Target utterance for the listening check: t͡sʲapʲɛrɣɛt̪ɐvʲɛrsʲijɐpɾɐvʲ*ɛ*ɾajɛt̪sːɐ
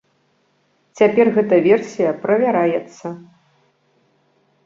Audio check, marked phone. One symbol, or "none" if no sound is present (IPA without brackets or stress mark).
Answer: a